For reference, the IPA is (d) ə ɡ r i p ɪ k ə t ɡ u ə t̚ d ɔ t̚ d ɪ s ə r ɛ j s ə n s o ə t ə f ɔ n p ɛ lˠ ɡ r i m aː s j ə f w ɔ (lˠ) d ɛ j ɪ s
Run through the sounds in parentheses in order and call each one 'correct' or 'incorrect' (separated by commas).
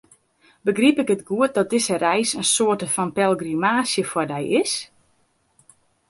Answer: incorrect, incorrect